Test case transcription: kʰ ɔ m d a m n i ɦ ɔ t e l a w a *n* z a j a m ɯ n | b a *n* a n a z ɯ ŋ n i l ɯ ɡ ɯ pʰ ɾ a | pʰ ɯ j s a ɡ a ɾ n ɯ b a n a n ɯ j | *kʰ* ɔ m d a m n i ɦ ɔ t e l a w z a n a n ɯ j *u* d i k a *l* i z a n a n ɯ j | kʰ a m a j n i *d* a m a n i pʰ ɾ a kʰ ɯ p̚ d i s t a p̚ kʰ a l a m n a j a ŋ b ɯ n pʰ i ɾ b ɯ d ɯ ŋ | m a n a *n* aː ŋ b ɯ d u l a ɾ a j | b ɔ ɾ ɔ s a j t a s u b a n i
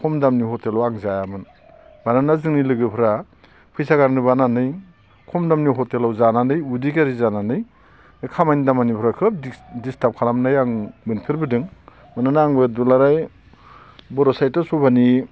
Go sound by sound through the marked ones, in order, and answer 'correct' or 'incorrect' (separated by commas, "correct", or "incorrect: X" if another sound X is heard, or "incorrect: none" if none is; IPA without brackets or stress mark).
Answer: incorrect: ŋ, correct, correct, correct, incorrect: ɾ, correct, correct